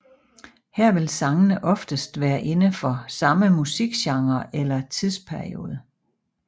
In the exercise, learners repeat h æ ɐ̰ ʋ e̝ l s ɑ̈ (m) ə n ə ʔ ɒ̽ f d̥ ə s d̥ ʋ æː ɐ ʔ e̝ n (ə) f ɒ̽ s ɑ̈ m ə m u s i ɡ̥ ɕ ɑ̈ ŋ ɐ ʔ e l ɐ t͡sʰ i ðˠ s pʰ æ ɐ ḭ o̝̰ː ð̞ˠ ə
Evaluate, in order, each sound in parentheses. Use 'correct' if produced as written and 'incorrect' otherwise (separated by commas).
incorrect, correct